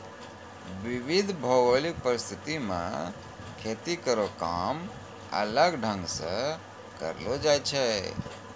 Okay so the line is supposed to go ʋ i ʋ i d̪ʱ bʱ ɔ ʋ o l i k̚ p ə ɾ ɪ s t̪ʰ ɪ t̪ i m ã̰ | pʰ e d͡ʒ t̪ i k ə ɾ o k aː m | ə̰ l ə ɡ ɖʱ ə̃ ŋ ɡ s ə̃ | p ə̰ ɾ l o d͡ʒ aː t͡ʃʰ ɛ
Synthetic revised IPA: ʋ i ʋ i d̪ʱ bʱ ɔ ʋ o l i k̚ p ə ɾ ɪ s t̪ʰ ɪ t̪ i m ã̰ | kʰ e t̪ i k ə ɾ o k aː m | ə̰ l ə ɡ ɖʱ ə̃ ŋ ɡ s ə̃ | k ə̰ ɾ l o d͡ʒ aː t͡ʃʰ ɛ